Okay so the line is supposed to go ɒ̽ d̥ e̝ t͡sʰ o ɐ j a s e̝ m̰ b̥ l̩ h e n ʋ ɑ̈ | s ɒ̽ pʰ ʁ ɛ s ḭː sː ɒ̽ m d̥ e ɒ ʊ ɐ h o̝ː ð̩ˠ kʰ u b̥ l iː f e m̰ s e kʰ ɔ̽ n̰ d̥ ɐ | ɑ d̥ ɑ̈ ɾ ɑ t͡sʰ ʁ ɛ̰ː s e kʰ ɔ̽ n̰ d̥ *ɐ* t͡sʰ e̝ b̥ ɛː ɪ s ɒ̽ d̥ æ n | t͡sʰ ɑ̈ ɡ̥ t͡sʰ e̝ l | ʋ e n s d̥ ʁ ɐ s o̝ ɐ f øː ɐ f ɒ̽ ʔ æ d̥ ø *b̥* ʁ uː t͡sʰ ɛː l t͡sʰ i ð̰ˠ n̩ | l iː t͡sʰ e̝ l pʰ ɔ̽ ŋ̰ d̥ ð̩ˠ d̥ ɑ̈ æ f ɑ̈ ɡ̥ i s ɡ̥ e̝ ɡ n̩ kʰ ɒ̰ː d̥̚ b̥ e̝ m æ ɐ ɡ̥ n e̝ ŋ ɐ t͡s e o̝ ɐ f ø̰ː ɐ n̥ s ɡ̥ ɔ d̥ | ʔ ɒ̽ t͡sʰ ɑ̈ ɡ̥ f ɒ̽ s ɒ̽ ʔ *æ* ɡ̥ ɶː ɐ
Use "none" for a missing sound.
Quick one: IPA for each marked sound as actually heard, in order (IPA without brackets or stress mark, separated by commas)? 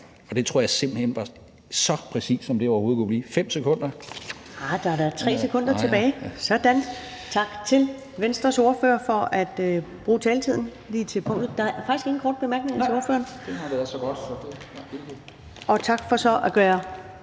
ɐ, b̥, æ